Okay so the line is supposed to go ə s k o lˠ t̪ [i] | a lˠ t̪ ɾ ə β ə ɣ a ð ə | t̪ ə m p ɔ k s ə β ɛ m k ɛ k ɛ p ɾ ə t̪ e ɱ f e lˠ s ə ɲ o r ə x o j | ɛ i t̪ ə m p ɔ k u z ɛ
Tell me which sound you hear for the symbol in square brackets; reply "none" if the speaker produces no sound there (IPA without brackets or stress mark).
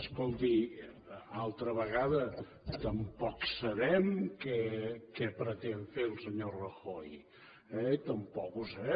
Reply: i